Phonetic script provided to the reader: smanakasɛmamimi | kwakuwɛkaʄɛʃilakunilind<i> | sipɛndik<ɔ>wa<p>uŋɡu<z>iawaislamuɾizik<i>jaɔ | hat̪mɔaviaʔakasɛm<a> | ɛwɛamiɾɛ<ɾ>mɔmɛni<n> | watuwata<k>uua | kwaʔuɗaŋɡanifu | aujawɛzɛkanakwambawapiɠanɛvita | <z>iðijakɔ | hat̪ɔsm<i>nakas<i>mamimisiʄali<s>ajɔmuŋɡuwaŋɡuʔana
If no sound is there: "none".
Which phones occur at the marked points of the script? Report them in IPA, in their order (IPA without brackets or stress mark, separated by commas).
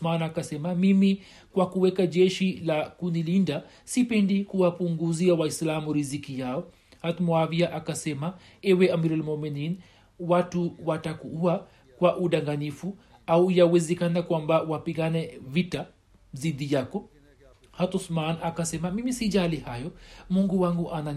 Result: a, u, p, z, i, a, l, n, k, z, a, ɛ, h